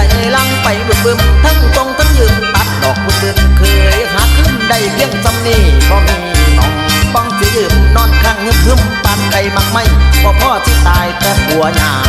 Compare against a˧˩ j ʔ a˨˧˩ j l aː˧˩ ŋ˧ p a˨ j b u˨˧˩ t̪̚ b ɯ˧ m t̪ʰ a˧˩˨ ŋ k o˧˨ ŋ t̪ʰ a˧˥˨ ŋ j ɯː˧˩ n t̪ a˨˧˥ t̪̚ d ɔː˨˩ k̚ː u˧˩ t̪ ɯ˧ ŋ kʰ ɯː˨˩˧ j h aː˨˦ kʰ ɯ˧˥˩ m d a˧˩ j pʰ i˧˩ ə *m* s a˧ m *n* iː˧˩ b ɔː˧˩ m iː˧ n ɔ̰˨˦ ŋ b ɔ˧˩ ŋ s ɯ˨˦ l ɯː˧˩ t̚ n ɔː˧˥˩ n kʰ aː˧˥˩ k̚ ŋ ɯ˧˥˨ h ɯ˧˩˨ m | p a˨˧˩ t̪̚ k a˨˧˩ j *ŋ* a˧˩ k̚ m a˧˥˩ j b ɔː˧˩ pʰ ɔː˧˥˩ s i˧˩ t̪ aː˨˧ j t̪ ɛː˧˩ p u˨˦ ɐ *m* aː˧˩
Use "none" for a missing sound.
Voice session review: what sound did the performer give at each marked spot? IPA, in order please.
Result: ŋ, n, m, ɲ

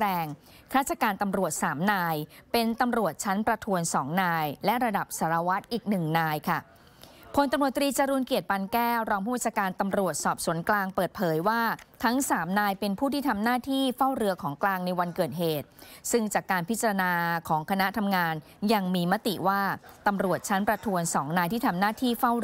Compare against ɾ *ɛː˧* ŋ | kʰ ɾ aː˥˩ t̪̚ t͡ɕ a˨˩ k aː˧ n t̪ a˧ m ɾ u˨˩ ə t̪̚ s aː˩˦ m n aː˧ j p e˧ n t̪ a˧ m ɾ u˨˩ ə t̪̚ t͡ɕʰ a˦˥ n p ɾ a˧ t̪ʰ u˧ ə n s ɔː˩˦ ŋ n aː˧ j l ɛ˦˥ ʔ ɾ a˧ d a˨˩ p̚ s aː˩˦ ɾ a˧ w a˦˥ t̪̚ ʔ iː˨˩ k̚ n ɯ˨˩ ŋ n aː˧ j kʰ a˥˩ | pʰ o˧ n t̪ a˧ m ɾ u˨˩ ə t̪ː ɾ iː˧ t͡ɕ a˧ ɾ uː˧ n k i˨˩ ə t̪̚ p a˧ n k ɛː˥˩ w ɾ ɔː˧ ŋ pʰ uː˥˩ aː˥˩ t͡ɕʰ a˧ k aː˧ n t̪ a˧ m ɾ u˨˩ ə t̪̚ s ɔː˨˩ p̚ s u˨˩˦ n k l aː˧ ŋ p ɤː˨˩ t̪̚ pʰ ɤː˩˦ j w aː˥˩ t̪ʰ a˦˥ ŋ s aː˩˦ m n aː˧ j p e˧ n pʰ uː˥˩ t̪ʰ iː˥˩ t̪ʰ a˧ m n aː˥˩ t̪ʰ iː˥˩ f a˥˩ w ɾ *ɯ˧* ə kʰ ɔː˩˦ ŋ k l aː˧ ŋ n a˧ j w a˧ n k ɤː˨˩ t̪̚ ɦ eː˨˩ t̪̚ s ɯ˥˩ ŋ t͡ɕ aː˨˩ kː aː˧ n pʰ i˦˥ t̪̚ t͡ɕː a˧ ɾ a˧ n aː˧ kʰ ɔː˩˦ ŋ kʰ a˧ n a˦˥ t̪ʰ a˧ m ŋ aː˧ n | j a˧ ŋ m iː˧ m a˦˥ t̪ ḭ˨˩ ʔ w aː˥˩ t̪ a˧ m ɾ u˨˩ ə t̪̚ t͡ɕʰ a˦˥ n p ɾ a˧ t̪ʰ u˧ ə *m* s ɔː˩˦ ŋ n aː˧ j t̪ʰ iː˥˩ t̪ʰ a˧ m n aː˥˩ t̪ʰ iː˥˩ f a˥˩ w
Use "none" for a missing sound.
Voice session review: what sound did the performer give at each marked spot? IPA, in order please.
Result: ɛː˧, ɯ˧, n

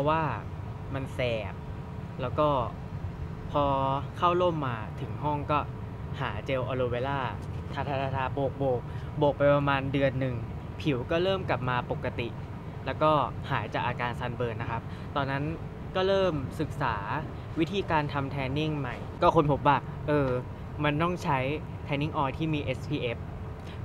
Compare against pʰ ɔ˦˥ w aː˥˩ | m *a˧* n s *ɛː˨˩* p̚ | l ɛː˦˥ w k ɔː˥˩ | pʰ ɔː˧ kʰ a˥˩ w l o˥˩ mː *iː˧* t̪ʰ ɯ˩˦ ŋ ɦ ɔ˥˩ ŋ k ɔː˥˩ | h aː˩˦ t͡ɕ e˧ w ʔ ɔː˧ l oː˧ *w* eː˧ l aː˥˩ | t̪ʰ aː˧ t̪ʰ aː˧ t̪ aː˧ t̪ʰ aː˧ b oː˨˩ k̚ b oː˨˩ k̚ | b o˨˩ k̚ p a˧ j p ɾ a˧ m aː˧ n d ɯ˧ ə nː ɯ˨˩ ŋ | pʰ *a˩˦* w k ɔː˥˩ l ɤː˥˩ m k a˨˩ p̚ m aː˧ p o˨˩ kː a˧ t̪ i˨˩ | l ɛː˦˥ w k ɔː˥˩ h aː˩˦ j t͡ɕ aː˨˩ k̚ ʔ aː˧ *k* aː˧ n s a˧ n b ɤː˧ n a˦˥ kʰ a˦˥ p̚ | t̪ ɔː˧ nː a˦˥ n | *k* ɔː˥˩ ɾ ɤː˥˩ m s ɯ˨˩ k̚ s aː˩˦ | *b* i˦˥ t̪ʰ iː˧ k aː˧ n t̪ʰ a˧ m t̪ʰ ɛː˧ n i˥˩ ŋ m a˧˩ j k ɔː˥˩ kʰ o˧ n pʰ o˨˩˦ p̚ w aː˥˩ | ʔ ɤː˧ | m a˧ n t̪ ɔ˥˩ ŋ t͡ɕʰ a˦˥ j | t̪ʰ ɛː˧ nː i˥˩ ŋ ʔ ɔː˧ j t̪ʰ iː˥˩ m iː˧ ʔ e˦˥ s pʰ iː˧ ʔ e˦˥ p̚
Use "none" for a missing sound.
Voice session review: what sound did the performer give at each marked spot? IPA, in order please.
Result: a˧, ɛː˨˩, aː˧, w, i˩˦, k, k, w

